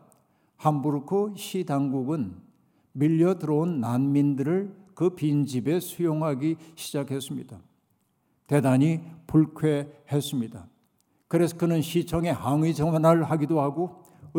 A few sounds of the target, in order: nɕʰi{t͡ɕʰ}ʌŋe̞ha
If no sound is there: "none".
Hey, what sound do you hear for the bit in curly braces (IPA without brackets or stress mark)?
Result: t͡ɕʰ